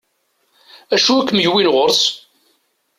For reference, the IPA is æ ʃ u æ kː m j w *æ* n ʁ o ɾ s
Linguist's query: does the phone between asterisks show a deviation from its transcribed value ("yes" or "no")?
yes